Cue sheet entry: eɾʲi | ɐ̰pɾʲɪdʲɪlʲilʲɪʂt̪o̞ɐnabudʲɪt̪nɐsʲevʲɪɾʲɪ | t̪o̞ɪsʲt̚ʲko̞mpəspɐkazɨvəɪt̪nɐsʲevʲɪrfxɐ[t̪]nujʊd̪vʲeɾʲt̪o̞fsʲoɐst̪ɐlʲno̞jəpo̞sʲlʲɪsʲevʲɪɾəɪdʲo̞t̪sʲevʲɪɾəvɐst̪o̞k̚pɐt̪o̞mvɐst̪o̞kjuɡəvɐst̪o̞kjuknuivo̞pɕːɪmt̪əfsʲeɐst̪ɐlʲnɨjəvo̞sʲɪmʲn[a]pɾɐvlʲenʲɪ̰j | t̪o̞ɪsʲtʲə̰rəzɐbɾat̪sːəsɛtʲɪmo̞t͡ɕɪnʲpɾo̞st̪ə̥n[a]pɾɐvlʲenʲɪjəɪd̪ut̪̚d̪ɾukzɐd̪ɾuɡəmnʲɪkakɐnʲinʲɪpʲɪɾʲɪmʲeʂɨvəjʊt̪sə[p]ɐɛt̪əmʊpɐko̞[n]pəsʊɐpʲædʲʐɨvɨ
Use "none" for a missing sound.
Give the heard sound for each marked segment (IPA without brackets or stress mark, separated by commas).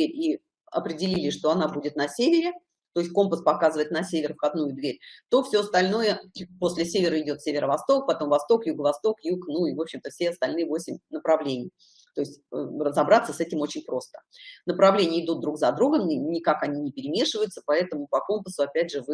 d̪, ə, ə, p, m